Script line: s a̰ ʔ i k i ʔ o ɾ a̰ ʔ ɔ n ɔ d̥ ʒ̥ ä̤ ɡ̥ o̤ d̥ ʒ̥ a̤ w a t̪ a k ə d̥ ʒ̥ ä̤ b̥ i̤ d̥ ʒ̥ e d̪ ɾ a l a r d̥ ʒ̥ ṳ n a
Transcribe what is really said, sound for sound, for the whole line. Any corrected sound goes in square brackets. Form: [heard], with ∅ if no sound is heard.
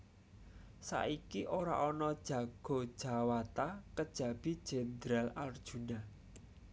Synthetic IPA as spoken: s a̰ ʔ i k i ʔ o ɾ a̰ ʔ ɔ n ɔ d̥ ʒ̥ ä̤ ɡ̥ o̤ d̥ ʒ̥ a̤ w a t̪ a k ə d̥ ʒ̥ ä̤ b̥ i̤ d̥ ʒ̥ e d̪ ɾ a l a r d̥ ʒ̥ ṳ n a